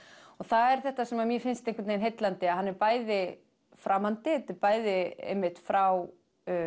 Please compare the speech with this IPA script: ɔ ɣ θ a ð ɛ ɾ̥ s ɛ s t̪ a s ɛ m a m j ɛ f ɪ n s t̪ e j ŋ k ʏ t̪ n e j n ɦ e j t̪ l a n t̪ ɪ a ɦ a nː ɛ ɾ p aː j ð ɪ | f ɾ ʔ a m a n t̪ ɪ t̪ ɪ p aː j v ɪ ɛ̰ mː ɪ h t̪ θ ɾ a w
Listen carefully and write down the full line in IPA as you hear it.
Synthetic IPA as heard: ɔ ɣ θ a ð ɛ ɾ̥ θ ɛ h t̪ a s ɛ m a m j ɛ f ɪ n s t̪ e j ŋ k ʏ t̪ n e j n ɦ e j t̪ l a n t̪ ɪ a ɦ a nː ɛ ɾ p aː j ð ɪ | f ɾ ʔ a m a n t̪ ɪ t̪ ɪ p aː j ð ɪ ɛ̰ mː ɪ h t̪ f ɾ a w